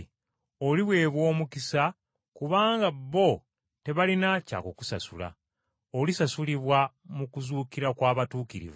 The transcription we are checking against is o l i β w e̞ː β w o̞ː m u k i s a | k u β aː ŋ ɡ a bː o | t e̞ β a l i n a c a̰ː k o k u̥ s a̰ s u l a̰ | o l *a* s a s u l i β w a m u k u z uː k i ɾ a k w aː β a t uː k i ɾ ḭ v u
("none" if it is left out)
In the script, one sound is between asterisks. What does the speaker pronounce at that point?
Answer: i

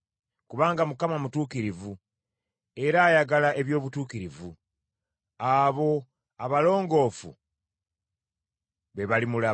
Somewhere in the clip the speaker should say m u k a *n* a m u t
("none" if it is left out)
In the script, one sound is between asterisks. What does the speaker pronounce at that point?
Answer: m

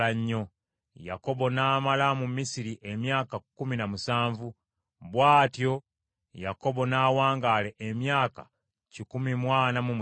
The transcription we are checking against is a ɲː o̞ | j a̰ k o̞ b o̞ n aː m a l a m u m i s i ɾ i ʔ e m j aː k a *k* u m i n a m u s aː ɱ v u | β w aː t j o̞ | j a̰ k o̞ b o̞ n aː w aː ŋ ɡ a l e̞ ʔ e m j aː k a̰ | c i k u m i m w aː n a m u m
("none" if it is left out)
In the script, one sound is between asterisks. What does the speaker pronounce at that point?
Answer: k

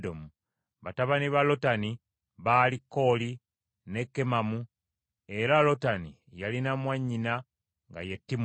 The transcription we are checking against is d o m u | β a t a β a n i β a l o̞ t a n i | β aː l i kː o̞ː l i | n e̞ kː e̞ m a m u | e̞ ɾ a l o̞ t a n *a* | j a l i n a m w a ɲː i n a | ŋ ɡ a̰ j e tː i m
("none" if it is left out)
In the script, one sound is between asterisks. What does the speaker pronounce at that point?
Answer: i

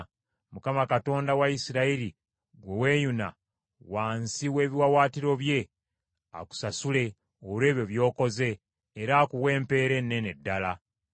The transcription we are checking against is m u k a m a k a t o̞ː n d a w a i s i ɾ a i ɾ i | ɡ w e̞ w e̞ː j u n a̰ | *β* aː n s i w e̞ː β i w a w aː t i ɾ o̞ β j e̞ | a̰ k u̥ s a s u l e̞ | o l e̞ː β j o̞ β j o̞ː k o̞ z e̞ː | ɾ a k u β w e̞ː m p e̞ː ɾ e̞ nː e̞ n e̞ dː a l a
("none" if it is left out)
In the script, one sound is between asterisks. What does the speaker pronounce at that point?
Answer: w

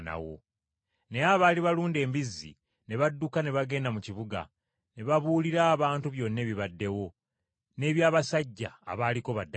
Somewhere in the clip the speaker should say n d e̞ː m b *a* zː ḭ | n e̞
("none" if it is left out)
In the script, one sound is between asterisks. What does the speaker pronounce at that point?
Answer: i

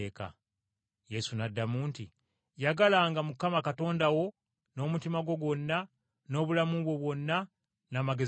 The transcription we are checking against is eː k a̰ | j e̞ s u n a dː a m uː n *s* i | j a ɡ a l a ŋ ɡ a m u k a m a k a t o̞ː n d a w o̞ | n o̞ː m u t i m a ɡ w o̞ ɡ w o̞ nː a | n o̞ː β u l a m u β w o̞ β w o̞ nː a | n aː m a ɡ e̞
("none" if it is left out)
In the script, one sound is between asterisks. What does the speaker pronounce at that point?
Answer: t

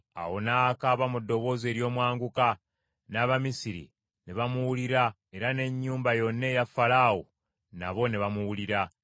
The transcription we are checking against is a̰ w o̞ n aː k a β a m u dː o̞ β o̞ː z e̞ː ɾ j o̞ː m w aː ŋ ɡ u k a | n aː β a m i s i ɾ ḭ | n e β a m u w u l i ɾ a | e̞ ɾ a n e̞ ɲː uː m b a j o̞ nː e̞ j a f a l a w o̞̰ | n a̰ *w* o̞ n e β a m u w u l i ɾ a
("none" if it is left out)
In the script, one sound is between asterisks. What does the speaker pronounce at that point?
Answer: β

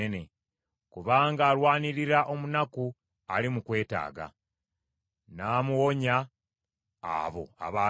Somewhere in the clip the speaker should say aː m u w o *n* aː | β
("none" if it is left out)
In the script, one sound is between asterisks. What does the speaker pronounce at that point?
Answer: ɲ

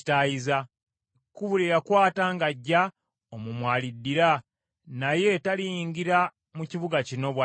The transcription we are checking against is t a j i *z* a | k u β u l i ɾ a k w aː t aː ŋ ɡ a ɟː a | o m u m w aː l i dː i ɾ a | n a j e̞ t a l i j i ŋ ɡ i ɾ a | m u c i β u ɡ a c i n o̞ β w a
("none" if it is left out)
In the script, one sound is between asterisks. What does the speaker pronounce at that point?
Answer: z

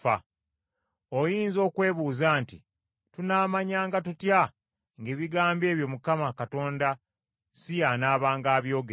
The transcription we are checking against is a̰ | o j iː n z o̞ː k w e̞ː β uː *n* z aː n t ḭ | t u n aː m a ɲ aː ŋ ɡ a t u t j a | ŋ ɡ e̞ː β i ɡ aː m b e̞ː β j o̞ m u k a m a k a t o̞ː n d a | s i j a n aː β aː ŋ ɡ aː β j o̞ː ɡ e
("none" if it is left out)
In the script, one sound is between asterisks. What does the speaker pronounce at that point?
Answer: none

